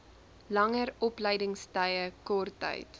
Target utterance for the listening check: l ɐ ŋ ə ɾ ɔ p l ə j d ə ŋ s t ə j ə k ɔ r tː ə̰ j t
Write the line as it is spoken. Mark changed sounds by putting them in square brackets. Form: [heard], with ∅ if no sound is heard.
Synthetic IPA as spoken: l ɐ ŋ ə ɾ ɔ p l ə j d ə ŋ s t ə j ə k ɔ r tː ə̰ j t